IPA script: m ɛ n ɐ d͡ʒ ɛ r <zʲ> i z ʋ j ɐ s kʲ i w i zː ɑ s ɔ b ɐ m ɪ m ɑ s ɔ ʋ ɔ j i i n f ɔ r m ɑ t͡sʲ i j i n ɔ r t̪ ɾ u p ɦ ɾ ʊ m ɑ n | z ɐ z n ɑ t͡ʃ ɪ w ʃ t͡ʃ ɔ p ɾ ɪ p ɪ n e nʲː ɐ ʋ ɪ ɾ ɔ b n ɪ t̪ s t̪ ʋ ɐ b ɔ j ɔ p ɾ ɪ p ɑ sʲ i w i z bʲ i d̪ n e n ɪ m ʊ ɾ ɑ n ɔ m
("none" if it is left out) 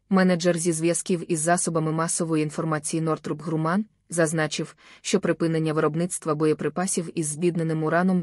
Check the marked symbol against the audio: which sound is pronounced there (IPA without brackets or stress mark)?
zʲ